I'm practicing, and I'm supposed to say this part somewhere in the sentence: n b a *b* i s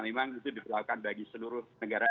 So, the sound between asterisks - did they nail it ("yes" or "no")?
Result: no